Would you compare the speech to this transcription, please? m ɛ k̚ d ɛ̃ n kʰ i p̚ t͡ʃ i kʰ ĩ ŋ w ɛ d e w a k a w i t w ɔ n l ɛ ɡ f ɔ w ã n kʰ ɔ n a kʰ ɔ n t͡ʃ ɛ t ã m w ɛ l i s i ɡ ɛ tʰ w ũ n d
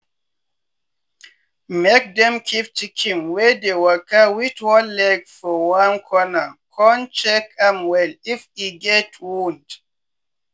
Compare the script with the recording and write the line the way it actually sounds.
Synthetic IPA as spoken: m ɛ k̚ d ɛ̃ m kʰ i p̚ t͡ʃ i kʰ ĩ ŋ w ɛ d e w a k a w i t w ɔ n l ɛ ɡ f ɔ w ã n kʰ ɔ n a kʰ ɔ n t͡ʃ ɛ k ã m w ɛ l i f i ɡ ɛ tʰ w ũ n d